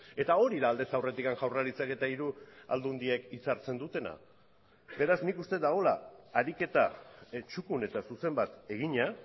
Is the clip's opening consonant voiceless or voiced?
voiceless